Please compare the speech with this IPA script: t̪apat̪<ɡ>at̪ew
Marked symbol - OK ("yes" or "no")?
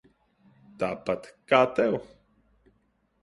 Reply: no